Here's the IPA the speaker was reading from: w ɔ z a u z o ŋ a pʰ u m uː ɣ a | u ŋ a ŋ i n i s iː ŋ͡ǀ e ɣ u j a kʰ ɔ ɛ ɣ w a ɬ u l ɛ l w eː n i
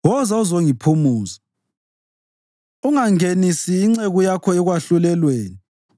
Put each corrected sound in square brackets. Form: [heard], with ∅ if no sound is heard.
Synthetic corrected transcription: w ɔ z a u z o ŋ [i] pʰ u m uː [z] a | u ŋ a ŋ [e] n i s iː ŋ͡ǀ e ɣ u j a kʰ ɔ ɛ ɣ w a ɬ u l ɛ l w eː n i